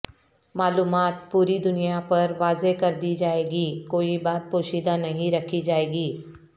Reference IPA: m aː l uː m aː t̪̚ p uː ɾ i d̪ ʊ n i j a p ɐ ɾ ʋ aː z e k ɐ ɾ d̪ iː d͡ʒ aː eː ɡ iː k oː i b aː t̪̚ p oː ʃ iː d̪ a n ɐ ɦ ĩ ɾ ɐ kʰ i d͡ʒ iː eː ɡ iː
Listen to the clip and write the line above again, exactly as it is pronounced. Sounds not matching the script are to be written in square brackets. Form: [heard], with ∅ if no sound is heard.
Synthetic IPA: m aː l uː m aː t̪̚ p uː ɾ i d̪ ʊ n i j a p ɐ ɾ ʋ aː z e k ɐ ɾ d̪ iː d͡ʒ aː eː ɡ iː k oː i b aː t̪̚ p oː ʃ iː d̪ a n ɐ ɦ ĩ ɾ ɐ kʰ i d͡ʒ [aː] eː ɡ iː

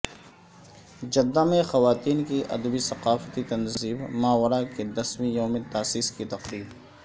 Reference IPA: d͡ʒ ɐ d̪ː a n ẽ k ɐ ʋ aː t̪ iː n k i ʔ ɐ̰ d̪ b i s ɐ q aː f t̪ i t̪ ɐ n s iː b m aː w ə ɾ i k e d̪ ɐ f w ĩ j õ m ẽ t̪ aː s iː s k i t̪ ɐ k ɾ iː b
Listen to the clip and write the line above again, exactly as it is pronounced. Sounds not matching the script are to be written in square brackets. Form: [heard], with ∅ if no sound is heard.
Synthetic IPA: d͡ʒ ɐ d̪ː a [m] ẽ [x] ɐ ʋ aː t̪ iː n k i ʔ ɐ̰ d̪ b i s ɐ q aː f t̪ i t̪ ɐ n [z] iː b m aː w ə ɾ [a] k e d̪ ɐ [s] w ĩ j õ m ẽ t̪ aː s iː s k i t̪ ɐ [q] ɾ iː b

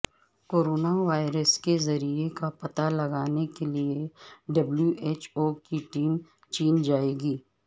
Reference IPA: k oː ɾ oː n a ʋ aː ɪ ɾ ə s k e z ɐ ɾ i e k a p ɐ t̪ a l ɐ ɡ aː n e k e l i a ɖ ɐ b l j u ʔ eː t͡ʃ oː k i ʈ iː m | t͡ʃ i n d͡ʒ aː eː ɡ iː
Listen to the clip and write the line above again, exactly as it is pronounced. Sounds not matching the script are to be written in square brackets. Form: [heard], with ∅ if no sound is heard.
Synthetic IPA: k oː ɾ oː n a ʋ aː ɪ ɾ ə s k e z ɐ ɾ i e k a p ɐ t̪ a l ɐ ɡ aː n e k e l i [e] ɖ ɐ b l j u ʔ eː t͡ʃ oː k i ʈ iː m | t͡ʃ [iː] n d͡ʒ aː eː ɡ iː

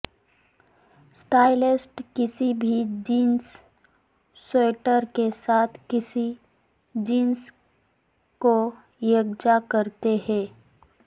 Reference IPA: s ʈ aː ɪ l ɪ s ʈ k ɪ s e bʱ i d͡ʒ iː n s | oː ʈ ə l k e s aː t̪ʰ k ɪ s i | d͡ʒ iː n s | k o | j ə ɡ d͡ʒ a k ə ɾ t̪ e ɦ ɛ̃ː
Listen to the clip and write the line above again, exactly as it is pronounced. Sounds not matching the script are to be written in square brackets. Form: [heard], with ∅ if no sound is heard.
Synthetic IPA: s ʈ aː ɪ l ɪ s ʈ k ɪ s [i] bʱ i d͡ʒ iː n s | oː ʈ ə [ɾ] k e s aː t̪ʰ k ɪ s i | d͡ʒ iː n s | k o | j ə ɡ d͡ʒ a k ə ɾ t̪ e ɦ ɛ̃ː

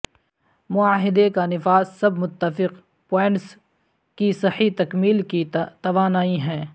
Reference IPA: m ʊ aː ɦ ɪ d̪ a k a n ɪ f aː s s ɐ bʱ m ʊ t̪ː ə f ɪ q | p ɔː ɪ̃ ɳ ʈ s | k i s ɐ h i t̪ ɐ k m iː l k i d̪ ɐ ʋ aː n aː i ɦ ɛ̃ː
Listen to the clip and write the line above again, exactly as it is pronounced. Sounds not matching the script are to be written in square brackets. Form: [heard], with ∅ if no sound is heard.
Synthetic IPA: m ʊ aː ɦ ɪ d̪ [e] k a n ɪ f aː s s ɐ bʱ m ʊ t̪ː ə f ɪ q | p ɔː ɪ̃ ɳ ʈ s | k i s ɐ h i t̪ ɐ k m iː l k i [t̪] ɐ ʋ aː n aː i ɦ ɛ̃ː

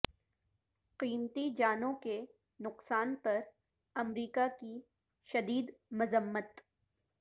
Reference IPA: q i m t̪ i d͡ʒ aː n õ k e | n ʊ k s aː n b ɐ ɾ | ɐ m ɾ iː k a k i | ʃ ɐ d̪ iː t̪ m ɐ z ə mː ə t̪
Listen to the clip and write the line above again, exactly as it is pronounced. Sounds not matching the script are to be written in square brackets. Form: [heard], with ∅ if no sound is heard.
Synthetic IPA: q [iː] m t̪ i d͡ʒ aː n õ k e | n ʊ [q] s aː n [p] ɐ ɾ | ɐ m ɾ iː k a k i | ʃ ɐ d̪ iː [d̪] m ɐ z ə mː ə t̪

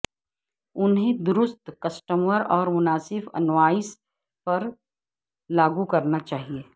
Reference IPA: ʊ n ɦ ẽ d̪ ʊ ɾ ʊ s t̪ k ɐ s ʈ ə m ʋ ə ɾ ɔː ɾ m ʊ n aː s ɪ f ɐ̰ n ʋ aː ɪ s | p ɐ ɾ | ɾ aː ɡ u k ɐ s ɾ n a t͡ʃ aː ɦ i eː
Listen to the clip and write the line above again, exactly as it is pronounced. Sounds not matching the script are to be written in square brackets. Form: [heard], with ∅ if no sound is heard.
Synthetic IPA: ʊ n ɦ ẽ d̪ ʊ ɾ ʊ s t̪ k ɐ s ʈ ə m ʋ ə ɾ ɔː ɾ m ʊ n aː s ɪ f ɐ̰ n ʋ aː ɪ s | p ɐ ɾ | [l] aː ɡ u k ɐ [∅] ɾ n a t͡ʃ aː ɦ i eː

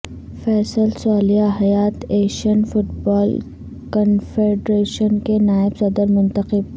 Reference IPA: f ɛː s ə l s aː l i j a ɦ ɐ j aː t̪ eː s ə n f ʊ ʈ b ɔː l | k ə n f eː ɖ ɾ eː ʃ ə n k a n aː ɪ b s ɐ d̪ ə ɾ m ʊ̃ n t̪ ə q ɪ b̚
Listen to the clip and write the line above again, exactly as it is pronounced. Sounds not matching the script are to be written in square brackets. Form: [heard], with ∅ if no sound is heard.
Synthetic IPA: f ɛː s ə l s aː l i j a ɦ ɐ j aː t̪ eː [ʃ] ə n f ʊ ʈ b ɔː l | k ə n f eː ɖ ɾ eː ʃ ə n k [e] n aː ɪ b s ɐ d̪ ə ɾ m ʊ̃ n t̪ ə q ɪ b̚

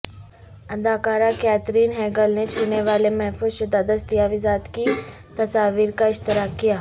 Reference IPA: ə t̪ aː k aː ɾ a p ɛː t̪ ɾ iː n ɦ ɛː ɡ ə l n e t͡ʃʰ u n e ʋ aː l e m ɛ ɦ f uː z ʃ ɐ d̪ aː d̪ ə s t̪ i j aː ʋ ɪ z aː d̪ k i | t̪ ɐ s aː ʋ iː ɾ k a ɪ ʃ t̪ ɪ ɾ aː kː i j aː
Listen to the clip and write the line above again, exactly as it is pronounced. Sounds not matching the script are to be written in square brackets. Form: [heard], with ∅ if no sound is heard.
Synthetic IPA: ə [d̪] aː k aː ɾ a [k] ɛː t̪ ɾ iː n ɦ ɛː ɡ ə l n e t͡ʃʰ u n e ʋ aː l e m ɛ ɦ f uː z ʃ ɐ d̪ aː d̪ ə s t̪ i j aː ʋ ɪ z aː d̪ k i | t̪ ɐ s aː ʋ iː ɾ k a ɪ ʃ t̪ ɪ ɾ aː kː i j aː

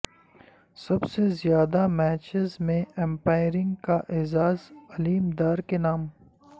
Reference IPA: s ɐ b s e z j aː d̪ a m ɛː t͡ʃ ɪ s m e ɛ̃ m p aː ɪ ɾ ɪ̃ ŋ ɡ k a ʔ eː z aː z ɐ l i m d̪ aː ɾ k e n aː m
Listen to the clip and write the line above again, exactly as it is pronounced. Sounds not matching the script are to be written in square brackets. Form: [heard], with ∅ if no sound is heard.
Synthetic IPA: s ɐ b s e z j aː d̪ a m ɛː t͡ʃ ɪ [z] m [ẽ] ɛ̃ m p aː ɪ ɾ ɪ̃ ŋ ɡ k a ʔ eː z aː z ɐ l [iː] m d̪ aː ɾ k e n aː m

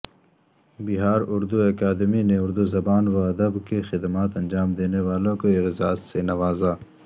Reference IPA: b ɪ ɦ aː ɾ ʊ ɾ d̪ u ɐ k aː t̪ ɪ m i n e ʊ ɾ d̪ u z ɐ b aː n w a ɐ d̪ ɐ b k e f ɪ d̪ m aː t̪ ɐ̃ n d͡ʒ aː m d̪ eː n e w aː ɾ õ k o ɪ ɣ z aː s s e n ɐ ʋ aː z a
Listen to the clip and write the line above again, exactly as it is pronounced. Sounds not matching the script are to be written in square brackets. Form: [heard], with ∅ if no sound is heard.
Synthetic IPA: b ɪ ɦ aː ɾ ʊ ɾ d̪ u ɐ k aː [d̪] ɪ m i n e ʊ ɾ d̪ u z ɐ b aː n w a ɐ d̪ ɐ b k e [x] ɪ d̪ m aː t̪ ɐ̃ n d͡ʒ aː m d̪ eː n e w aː [l] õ k o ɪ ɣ z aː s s e n ɐ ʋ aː z a

